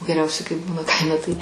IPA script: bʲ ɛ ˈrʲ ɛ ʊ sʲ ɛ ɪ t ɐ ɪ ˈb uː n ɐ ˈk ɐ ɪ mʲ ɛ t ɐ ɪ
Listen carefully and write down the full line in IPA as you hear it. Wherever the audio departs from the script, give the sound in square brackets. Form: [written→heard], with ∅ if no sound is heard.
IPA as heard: [bʲ→ɡʲ] ɛ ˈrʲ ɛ ʊ sʲ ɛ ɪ [t→k] ɐ ɪ ˈb uː n ɐ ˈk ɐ ɪ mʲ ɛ t ɐ ɪ